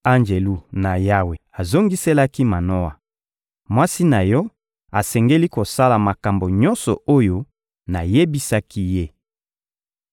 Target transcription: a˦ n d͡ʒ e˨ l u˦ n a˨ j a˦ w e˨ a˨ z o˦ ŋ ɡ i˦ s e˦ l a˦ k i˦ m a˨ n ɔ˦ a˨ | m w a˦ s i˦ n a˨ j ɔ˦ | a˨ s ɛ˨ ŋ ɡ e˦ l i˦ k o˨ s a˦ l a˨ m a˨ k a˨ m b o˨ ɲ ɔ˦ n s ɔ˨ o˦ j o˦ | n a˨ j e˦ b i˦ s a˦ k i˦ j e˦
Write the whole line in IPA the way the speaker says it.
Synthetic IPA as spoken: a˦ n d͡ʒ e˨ l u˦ n a˨ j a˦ w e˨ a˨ z o˦ ŋ ɡ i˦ s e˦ l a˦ k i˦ m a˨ n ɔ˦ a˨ | m w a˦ s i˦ n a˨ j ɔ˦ | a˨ s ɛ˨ ŋ ɡ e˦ l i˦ k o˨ s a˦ l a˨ m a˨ k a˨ m b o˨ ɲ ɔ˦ n s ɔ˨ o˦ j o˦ | n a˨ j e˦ b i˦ s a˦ k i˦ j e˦